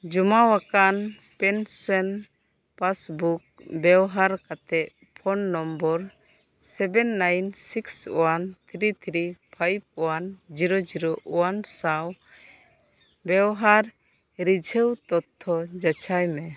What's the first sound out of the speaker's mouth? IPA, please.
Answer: d͡ʒ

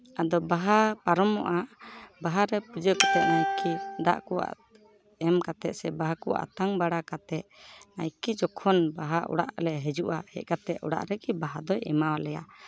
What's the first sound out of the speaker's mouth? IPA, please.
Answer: a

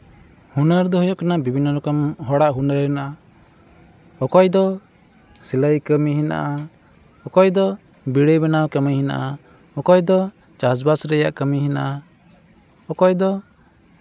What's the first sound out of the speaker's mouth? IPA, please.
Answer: h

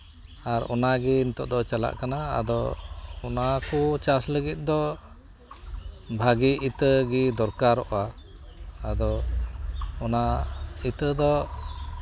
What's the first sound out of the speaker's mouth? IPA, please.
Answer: a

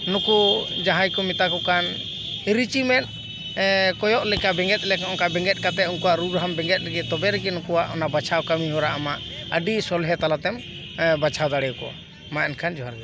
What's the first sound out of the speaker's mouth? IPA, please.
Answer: n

